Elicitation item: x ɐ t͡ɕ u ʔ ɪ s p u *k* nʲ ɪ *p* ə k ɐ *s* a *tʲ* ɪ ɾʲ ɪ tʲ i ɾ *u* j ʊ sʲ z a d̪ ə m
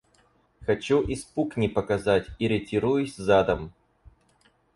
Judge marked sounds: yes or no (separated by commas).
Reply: yes, yes, no, yes, yes